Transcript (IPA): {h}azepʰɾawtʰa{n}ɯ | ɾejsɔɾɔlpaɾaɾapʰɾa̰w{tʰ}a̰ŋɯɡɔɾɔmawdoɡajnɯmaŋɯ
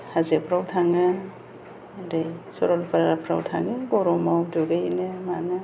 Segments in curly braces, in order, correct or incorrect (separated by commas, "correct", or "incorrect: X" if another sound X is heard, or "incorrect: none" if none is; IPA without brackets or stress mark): correct, incorrect: ŋ, correct